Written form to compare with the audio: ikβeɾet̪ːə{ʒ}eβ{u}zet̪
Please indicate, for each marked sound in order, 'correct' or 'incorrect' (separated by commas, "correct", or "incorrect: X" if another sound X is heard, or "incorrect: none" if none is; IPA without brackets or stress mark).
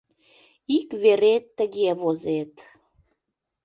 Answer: incorrect: ɣ, incorrect: o